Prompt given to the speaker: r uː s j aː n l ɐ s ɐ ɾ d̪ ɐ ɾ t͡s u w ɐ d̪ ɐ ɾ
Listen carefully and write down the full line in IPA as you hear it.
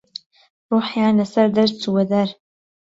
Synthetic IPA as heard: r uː ħ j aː n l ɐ s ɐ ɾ d̪ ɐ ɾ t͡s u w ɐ d̪ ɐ ɾ